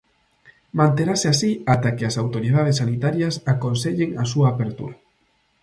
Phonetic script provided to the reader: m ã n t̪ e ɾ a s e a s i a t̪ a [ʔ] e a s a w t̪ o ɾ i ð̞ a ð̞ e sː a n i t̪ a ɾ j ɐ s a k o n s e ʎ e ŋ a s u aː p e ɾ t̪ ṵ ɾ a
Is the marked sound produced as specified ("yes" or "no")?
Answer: no